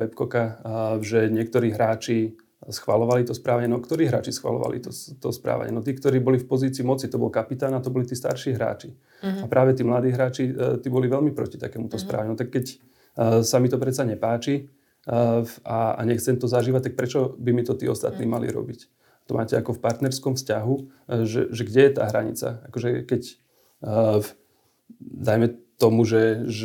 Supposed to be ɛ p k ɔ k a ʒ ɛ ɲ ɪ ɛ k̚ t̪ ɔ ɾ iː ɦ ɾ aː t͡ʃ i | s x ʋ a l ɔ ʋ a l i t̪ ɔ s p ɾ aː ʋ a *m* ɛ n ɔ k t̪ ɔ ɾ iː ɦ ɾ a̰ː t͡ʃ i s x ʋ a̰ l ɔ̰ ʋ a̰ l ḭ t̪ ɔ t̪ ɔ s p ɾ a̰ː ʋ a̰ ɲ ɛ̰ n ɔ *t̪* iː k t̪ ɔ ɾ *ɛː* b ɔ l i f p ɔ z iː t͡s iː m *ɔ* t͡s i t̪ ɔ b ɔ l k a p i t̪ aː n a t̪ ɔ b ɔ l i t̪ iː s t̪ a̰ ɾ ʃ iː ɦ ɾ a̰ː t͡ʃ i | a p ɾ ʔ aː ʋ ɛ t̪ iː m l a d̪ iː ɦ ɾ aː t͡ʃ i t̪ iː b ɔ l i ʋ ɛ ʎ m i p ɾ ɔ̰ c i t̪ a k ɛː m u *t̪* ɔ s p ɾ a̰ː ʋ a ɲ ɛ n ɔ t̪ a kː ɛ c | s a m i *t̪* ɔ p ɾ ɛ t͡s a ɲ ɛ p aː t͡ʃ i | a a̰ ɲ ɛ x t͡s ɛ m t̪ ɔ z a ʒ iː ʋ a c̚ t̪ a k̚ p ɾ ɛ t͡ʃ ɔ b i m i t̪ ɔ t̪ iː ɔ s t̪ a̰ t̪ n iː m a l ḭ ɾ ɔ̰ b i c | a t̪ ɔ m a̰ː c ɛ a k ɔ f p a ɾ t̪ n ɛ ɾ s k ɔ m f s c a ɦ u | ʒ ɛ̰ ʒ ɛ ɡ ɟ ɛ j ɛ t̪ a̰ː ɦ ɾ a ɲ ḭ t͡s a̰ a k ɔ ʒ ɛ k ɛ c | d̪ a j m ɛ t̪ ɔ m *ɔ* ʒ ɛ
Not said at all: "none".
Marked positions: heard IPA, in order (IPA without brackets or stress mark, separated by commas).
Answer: ɲ, t̪, iː, ɔ, t̪, t̪, u